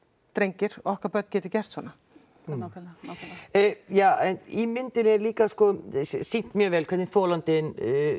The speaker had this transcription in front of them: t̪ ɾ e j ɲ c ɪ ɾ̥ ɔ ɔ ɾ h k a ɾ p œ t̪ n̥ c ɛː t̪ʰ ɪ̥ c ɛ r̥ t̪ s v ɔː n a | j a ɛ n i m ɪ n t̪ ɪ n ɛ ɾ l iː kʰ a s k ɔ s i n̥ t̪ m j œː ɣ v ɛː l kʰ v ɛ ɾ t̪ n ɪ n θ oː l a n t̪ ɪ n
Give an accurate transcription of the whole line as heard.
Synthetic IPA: t̪ ɾ e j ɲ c ɪ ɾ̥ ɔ ɔ h k a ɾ p œ t̪ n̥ c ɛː t̪ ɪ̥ c ɛ r̥ t̪ s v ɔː n a | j a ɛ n i m ɪ n t̪ ɪ n ɛ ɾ l iː k a s k ɔ s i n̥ t̪ m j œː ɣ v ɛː l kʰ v ɛ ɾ t̪ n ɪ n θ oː l a n t̪ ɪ n